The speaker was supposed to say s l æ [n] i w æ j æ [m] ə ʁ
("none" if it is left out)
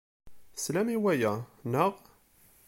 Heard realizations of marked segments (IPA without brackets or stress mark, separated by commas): m, n